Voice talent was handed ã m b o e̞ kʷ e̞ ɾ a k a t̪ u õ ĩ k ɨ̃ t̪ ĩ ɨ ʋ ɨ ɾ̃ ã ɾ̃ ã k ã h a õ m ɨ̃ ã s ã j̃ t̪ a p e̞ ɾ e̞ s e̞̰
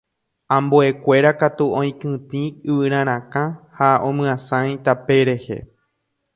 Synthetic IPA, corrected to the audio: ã m b o e̞ kʷ e̞ ɾ a k a t̪ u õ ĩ k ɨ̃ t̪ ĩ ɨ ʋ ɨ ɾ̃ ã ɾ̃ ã k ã h a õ m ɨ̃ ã s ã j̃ t̪ a p e̞ ɾ e̞ h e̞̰